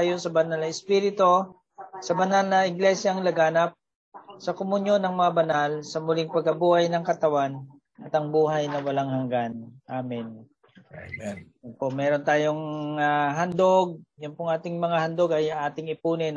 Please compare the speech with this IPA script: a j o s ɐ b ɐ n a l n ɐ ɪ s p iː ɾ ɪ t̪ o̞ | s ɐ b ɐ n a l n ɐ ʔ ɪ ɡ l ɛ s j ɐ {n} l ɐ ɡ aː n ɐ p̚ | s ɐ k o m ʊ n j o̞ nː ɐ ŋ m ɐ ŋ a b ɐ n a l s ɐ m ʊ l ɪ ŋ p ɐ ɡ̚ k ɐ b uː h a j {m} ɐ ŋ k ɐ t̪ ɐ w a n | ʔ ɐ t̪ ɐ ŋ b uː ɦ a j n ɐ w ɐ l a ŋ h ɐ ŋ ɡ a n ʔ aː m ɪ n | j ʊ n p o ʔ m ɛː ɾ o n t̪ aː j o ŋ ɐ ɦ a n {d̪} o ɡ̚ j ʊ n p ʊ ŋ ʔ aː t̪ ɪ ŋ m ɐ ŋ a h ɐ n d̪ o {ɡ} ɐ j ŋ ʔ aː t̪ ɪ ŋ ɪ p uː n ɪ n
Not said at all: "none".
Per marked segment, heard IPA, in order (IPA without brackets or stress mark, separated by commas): ŋ, n, d̪, ɡ